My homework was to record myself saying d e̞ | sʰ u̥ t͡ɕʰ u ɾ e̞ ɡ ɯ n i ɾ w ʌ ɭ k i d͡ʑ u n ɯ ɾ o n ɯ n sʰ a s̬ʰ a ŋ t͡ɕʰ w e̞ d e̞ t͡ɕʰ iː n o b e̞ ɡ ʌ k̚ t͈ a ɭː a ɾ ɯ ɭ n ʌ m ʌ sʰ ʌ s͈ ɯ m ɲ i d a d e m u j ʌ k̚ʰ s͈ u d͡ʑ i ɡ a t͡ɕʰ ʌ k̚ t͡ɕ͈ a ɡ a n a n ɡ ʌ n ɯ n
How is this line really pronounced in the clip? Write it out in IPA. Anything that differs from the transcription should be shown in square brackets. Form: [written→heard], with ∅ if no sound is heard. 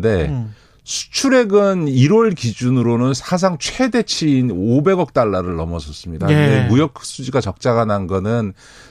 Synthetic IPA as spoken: d e̞ | sʰ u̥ t͡ɕʰ u ɾ e̞ ɡ ɯ n i ɾ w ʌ ɭ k i d͡ʑ u n ɯ ɾ o n ɯ n sʰ a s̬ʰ a ŋ t͡ɕʰ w e̞ d e̞ t͡ɕʰ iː n o b e̞ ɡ ʌ k̚ t͈ a ɭː a ɾ ɯ ɭ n ʌ m ʌ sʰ ʌ s͈ ɯ m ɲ i d a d e m u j ʌ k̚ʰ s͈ u d͡ʑ i ɡ a [t͡ɕʰ→t͡ɕ] ʌ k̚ t͡ɕ͈ a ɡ a n a n ɡ ʌ n ɯ n